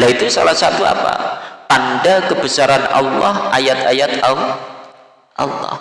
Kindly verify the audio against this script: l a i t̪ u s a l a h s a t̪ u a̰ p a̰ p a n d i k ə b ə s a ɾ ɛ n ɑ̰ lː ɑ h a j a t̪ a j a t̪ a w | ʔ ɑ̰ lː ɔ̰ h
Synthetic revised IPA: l a i t̪ u s a l a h s a t̪ u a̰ p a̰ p a n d a k ə b ə s a ɾ a n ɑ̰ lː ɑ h a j a t̪ a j a t̪ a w | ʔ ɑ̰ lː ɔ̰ h